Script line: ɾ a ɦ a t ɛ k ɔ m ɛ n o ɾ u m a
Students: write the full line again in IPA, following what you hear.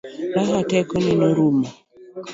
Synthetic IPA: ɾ a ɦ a t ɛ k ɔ n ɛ n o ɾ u m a

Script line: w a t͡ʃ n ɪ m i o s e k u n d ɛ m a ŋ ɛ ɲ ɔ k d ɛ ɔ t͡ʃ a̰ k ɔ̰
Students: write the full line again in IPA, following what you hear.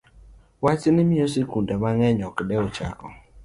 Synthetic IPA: w a t͡ʃ n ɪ m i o s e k u n d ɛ m a ŋ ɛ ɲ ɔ k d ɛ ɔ t͡ʃ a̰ k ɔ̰

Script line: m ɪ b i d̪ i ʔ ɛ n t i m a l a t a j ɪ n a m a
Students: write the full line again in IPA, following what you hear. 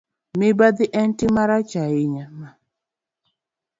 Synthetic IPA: m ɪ b a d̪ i ʔ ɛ n t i m a ɾ a t͡ʃ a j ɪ ɲ a m a

